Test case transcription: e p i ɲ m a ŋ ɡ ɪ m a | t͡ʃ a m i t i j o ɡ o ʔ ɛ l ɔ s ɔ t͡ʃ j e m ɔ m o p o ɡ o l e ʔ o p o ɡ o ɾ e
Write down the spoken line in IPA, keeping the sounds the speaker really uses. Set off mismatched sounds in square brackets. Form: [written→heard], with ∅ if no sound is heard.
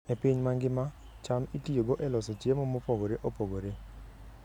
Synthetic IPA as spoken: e p i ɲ m a ŋ ɡ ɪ m a | t͡ʃ a m i t i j o ɡ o ʔ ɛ l ɔ s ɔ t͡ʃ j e m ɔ m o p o ɡ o [l→ɾ] e ʔ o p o ɡ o ɾ e